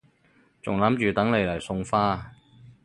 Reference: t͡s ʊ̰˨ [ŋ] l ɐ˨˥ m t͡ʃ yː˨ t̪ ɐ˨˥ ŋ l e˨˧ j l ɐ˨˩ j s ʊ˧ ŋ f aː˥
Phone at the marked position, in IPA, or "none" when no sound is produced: ŋ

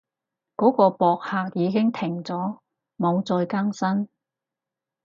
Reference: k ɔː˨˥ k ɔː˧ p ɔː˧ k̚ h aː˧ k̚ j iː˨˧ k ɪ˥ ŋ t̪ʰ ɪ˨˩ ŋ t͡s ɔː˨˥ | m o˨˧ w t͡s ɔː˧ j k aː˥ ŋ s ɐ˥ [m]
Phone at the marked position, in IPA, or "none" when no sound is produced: n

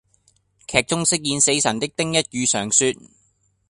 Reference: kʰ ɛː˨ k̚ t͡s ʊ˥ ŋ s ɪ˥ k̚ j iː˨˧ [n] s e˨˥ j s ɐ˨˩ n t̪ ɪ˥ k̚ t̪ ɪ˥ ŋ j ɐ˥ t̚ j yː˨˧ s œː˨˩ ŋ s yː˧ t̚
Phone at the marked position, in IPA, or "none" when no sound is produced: n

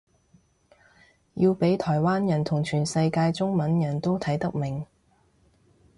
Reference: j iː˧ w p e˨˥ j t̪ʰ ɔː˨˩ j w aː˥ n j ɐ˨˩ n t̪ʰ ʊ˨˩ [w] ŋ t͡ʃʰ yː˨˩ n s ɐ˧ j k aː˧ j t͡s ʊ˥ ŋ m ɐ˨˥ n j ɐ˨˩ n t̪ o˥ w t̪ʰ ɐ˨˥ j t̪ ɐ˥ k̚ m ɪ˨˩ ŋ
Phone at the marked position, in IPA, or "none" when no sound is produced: none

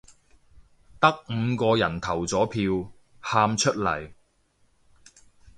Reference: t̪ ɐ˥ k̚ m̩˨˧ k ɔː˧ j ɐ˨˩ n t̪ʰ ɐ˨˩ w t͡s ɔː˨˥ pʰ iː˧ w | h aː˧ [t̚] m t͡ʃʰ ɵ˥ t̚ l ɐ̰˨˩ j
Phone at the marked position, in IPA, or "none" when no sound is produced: none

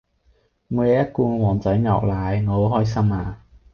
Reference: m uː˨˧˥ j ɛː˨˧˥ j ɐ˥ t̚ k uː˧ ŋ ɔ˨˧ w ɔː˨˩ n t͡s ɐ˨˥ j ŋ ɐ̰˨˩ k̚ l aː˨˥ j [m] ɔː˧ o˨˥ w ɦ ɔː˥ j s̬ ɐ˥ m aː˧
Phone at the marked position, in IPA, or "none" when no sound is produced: ŋ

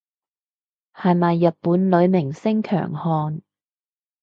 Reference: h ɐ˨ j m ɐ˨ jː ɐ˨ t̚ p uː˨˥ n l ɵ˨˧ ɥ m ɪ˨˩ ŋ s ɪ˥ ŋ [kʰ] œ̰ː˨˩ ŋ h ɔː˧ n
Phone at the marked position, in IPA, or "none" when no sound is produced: kʰ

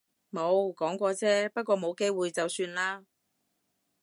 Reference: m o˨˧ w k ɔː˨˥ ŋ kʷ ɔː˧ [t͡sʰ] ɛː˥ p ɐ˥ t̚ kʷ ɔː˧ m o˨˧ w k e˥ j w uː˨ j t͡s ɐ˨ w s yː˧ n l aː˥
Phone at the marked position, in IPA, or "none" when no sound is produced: t͡s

